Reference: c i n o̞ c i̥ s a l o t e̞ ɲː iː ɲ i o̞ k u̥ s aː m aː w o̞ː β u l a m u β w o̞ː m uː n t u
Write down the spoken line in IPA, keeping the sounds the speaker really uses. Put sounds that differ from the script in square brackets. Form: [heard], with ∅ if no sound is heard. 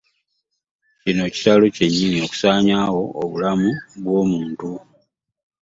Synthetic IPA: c i n o̞ c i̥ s a l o [c] e̞ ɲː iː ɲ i o̞ k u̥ s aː [ɲ] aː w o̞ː β u l a m u β w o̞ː m uː n t u

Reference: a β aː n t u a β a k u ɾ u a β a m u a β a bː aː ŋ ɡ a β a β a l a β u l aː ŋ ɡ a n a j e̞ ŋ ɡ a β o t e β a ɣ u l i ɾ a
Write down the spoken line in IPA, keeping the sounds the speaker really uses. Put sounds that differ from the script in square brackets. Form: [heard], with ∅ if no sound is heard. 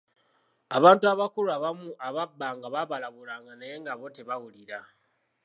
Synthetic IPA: a β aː n t u a β a k u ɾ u a β a m u a β a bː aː ŋ ɡ a β a β a l a β u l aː ŋ ɡ a n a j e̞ ŋ ɡ a β o t e β a ɣ u l i ɾ a

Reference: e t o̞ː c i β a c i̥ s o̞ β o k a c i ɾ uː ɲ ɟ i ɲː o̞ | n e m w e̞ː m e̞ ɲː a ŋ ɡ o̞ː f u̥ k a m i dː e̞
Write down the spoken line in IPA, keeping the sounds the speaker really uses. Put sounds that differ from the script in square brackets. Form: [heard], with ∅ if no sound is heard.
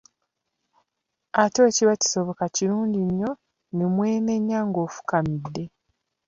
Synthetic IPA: [a] t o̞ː c i β a c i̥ s o̞ β o k a c i ɾ uː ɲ ɟ i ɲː o̞ | n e m w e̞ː m e̞ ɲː a ŋ ɡ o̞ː f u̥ k a m i dː e̞

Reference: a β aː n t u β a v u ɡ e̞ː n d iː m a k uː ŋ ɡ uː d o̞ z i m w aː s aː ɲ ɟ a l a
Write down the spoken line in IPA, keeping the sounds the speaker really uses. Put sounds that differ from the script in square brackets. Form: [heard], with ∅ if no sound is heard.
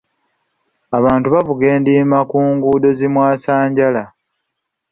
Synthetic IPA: a β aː n t u β a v u ɡ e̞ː n d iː m a k uː ŋ ɡ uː d o̞ z i m w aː s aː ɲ ɟ a l a

